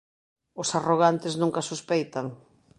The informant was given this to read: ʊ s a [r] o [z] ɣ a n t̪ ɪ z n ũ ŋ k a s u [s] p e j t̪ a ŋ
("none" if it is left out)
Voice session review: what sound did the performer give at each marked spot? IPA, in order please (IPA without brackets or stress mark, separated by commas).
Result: r, none, s